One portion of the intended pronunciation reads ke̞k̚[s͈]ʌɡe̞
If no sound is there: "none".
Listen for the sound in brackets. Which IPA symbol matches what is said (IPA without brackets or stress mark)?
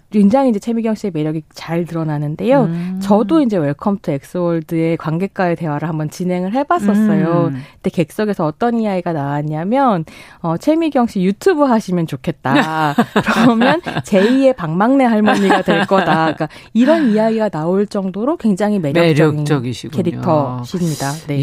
s͈